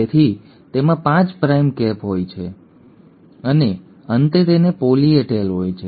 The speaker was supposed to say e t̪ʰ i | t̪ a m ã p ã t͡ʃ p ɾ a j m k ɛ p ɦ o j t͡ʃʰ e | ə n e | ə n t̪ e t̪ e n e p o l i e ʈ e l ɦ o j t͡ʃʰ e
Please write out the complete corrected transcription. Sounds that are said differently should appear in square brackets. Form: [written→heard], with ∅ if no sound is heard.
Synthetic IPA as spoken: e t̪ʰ i | t̪ [a→e] m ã p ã t͡ʃ p ɾ a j m k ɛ p ɦ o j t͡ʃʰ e | ə n e | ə n t̪ e t̪ e n e p o l i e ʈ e l ɦ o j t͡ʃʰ e